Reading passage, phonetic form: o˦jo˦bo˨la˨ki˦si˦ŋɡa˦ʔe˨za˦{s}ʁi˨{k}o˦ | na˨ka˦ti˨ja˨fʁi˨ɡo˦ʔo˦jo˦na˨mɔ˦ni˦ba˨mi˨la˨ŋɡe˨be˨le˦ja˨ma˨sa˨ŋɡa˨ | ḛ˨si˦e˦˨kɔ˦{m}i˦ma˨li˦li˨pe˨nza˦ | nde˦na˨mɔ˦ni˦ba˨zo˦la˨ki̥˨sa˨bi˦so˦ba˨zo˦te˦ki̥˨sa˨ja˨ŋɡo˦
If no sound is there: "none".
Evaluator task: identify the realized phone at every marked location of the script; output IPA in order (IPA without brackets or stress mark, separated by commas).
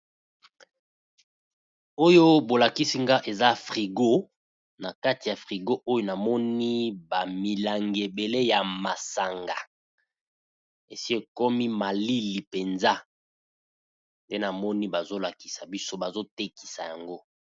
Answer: f, ɡ, m